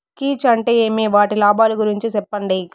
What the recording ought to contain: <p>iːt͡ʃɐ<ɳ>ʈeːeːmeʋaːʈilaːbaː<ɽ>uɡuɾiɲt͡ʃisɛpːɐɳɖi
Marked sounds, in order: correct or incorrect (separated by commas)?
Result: incorrect, correct, incorrect